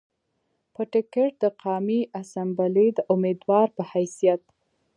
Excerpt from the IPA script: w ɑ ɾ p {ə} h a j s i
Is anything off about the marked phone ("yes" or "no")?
no